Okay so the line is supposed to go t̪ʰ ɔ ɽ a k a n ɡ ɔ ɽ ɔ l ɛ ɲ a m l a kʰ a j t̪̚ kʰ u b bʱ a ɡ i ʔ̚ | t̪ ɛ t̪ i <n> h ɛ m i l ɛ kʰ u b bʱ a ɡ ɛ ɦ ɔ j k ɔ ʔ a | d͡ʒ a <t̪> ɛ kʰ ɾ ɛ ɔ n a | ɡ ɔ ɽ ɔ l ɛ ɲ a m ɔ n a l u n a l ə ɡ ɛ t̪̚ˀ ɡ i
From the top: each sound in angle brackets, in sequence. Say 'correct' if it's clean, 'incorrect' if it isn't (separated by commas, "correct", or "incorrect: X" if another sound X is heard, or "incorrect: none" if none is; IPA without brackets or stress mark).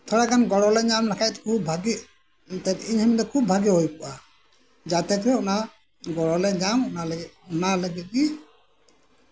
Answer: incorrect: ɲ, correct